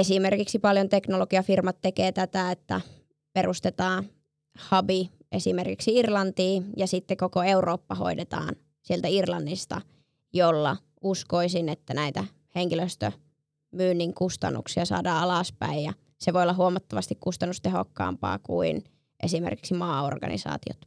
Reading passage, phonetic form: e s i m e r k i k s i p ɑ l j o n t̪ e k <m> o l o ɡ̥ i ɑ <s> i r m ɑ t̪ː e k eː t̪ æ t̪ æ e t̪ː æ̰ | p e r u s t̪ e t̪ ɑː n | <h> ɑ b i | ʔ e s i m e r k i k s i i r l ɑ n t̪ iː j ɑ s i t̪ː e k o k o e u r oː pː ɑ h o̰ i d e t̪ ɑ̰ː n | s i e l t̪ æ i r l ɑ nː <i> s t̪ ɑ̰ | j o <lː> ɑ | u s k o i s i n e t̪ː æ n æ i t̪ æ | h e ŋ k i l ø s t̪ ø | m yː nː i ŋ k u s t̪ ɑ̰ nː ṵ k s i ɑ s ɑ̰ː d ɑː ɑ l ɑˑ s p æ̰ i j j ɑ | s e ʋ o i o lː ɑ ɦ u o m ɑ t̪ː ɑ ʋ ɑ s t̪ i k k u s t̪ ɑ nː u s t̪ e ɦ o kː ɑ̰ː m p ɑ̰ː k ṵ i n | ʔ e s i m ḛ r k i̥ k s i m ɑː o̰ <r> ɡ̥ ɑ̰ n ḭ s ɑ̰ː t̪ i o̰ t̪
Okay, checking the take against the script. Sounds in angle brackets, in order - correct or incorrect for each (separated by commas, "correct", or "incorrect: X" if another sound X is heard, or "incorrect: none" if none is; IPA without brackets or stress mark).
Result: incorrect: n, incorrect: f, correct, correct, correct, correct